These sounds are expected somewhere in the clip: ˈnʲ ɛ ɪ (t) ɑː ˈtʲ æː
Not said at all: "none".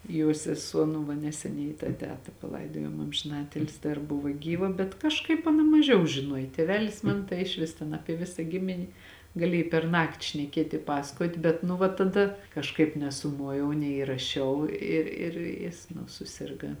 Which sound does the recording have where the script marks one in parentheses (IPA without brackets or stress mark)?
t